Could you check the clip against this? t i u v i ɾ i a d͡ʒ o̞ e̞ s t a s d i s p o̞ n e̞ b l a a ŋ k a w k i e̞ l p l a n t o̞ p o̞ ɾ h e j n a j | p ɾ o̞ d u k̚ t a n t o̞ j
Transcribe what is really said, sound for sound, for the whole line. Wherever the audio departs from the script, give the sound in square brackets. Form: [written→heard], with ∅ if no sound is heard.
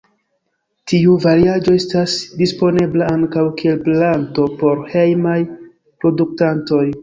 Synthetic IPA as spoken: t i u v [i→a] ɾ i a d͡ʒ o̞ e̞ s t a s d i s p o̞ n e̞ b l a a ŋ k a w k i e̞ l p l a n t o̞ p o̞ ɾ h e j [n→m] a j | p ɾ o̞ d u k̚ t a n t o̞ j